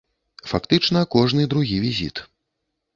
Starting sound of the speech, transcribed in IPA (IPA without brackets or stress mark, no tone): f